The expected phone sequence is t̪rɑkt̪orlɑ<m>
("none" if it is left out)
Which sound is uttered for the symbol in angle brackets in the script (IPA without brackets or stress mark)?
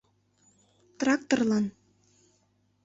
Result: n